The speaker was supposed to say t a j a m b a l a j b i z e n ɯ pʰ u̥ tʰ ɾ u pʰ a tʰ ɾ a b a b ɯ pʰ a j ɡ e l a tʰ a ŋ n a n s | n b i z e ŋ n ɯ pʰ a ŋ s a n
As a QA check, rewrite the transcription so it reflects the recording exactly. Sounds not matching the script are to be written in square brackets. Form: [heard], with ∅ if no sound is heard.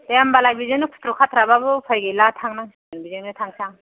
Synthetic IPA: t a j a m b a l a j b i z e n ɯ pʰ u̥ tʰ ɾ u [kʰ] a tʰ ɾ a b a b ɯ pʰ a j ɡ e l a tʰ a ŋ n a [ŋ] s | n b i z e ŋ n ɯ [tʰ] a ŋ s a [ŋ]